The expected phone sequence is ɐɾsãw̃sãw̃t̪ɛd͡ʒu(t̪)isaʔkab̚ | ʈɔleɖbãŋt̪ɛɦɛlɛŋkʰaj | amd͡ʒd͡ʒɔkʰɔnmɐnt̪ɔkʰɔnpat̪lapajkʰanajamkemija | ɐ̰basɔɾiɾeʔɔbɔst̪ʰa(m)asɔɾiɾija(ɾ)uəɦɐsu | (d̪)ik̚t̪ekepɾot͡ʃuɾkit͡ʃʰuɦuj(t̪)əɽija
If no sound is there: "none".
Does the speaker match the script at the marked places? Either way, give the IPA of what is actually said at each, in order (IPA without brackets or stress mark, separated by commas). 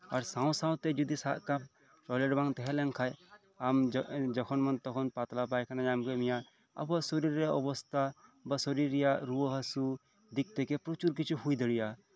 d̪, b, ɾ, d̪, d̪